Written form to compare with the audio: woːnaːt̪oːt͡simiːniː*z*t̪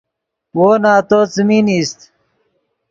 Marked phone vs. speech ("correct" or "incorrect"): incorrect